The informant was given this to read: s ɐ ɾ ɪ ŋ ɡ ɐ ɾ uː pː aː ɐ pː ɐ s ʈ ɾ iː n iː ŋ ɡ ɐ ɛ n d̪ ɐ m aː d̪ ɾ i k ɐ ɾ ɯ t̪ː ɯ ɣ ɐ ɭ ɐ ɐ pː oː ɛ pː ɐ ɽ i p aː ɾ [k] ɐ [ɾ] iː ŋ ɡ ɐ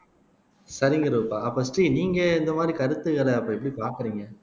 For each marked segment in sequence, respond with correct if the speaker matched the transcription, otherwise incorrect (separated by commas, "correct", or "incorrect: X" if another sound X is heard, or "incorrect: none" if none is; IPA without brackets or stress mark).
correct, correct